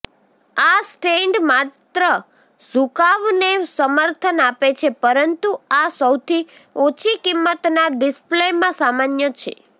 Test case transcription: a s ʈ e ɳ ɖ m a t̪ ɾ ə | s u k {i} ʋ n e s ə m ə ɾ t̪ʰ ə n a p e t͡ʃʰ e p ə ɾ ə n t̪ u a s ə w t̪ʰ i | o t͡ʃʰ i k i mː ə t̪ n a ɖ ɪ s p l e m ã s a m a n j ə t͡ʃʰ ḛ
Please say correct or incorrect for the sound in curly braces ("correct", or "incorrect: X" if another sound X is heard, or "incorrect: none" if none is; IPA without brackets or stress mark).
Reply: incorrect: a